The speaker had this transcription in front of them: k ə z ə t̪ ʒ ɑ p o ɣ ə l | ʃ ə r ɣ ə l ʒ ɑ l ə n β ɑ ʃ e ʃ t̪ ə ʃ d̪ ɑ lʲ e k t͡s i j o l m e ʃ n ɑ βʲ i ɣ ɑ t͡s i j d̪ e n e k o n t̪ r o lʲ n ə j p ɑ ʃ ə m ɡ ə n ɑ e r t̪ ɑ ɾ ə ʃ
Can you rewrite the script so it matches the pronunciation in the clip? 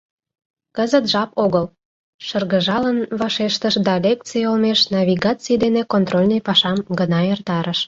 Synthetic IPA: k ə z ə t̪ ʒ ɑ p o ɣ ə l | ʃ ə r ɣ ə ʒ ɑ l ə n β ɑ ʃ e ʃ t̪ ə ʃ d̪ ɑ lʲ e k t͡s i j o l m e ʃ n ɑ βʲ i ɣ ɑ t͡s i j d̪ e n e k o n t̪ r o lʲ n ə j p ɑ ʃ ɑ m ɡ ə n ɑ e r t̪ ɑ ɾ ə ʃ